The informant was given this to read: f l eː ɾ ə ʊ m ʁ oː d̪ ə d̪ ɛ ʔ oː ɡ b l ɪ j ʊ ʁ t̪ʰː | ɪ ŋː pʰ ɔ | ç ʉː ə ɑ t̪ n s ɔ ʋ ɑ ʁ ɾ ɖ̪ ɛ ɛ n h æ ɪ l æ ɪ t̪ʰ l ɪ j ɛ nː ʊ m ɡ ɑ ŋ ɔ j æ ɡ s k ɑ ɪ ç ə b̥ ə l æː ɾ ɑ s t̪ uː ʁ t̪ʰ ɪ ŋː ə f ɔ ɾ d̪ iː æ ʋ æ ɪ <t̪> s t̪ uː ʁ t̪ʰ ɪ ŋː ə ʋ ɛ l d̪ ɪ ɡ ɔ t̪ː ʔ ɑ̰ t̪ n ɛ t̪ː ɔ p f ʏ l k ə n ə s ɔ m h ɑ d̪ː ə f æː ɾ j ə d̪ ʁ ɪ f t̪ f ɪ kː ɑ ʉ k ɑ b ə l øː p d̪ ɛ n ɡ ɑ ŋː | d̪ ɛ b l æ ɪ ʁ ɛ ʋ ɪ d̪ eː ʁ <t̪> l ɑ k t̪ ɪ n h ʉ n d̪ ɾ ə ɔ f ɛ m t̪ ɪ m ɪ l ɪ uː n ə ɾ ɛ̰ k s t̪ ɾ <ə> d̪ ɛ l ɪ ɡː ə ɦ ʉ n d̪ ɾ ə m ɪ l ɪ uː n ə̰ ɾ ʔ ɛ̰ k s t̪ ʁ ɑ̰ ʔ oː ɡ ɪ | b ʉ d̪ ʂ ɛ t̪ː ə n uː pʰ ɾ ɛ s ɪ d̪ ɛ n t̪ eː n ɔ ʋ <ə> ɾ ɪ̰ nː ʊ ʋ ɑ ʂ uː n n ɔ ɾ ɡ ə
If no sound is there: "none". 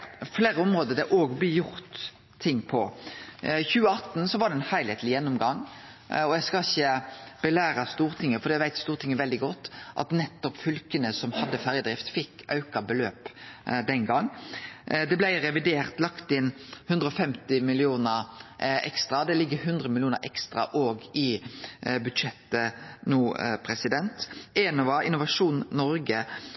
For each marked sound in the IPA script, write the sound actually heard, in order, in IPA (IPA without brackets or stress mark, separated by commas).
t̪, t̪, ɑ, ɑ